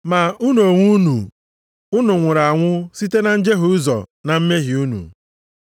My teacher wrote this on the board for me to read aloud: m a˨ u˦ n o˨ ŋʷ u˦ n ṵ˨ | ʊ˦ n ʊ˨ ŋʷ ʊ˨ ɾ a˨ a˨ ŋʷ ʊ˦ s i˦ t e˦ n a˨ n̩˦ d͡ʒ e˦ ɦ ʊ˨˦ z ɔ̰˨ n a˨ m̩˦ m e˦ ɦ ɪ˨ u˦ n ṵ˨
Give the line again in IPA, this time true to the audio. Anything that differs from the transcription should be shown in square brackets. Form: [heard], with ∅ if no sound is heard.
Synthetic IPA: m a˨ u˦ n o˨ ŋʷ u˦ n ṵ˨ | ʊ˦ n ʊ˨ ŋʷ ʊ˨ ɾ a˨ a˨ ŋʷ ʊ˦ s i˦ t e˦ n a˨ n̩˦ d͡ʒ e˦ ɦ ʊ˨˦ z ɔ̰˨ n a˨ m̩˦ m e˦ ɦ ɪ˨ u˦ n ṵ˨